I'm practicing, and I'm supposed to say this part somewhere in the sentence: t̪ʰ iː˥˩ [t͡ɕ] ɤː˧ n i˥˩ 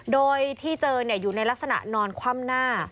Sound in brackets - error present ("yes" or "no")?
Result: no